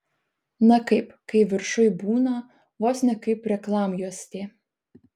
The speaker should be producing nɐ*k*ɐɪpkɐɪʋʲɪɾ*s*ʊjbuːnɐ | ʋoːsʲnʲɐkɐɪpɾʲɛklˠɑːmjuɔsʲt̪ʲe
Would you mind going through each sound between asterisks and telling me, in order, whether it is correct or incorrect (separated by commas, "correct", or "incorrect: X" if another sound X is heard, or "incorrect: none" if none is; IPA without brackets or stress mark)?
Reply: correct, incorrect: ʃ